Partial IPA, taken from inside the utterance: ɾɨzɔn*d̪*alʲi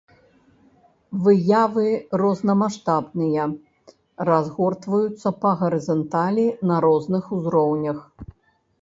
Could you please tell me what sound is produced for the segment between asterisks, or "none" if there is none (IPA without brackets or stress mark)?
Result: t̪